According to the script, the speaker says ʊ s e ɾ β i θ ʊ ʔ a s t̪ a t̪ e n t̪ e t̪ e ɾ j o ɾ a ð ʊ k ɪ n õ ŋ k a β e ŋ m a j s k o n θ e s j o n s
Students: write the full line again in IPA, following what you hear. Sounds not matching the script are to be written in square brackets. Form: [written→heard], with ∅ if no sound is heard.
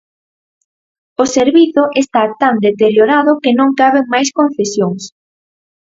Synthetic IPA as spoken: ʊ s e ɾ β i θ ʊ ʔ [a→e] s t̪ a t̪ [e→a] n [t̪→d̪] e t̪ e ɾ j o ɾ a ð ʊ k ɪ n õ ŋ k a β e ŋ m a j s k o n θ e s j o [n→ŋ] s